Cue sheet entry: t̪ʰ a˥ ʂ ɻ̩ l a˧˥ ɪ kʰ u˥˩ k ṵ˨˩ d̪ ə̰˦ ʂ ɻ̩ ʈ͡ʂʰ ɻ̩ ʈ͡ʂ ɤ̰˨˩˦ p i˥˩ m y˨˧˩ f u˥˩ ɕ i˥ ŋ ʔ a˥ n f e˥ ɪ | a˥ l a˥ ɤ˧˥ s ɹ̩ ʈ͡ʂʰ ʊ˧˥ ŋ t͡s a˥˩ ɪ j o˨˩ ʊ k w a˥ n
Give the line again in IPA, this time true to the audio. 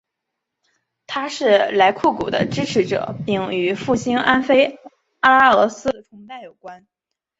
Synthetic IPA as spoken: t̪ʰ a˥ ʂ ɻ̩ l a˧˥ ɪ kʰ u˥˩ k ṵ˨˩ d̪ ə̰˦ ʈ͡ʂ ɻ̩ ʈ͡ʂʰ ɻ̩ ʈ͡ʂ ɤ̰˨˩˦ p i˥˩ ŋ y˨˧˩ f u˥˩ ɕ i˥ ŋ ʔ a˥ n f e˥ ɪ | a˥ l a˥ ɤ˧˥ s ɹ̩ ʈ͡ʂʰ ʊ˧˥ ŋ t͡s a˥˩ ɪ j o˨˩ ʊ k w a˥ n